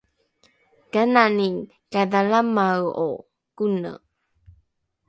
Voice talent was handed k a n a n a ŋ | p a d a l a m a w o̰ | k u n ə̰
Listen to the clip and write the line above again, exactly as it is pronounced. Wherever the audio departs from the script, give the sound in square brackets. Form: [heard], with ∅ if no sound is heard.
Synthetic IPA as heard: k a n a n [i] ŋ | [k] a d a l a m a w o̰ | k u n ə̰